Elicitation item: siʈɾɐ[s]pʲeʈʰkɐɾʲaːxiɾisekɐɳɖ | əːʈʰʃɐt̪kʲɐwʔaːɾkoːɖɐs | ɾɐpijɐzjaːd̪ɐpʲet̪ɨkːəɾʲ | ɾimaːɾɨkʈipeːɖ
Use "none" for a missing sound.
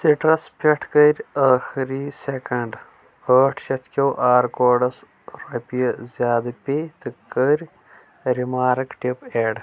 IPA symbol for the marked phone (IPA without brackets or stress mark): s